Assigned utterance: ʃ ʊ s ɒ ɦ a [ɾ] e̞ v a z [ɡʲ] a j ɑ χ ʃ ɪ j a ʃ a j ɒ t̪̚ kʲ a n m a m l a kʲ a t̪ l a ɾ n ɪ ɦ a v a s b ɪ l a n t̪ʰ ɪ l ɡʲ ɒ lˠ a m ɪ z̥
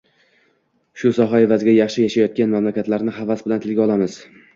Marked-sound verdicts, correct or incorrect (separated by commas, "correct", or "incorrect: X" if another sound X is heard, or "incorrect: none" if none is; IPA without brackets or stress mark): incorrect: none, correct